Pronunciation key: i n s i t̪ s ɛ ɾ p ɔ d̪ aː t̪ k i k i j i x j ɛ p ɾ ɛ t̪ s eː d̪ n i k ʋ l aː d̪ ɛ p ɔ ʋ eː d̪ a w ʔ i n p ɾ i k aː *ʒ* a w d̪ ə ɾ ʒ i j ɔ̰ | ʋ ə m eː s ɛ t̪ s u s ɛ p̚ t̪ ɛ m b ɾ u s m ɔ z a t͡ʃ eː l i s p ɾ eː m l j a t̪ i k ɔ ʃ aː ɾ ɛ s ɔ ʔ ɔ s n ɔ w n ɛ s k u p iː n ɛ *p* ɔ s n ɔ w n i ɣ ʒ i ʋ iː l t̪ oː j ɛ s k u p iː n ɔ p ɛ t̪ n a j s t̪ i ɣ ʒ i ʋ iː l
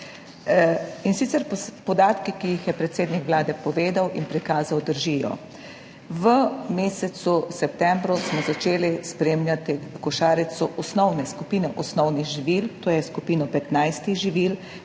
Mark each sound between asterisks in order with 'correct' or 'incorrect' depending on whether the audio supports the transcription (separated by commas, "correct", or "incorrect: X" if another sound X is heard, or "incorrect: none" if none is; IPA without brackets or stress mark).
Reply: incorrect: z, incorrect: ʔ